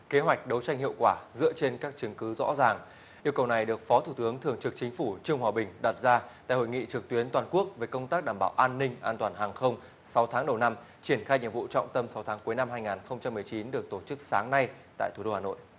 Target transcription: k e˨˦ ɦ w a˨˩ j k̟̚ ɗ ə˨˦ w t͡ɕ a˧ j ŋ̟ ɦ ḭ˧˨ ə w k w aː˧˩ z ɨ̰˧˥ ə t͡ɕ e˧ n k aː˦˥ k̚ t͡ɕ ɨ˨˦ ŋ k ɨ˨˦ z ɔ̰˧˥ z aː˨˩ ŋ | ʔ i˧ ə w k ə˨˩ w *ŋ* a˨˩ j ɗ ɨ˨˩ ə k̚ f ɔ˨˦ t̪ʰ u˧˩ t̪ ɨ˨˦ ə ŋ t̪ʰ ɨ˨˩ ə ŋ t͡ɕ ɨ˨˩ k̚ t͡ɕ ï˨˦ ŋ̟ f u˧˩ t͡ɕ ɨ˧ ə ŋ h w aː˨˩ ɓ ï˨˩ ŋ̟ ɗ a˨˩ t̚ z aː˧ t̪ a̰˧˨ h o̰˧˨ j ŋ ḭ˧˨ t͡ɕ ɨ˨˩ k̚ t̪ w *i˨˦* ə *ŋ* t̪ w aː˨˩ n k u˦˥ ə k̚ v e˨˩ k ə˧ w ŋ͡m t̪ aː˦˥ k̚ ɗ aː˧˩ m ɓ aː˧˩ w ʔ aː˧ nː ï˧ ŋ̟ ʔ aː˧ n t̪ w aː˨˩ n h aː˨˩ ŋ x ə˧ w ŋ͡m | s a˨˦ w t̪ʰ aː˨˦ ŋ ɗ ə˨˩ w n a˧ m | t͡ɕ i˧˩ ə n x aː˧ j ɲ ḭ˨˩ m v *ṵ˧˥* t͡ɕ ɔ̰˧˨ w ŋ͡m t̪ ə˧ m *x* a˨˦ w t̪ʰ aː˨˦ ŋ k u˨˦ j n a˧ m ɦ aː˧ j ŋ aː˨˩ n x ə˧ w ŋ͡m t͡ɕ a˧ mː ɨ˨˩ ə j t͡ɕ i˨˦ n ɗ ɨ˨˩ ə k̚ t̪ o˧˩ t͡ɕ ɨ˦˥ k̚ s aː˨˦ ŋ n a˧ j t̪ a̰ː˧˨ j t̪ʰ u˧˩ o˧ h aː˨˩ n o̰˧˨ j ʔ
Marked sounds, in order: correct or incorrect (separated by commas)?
incorrect, correct, incorrect, incorrect, incorrect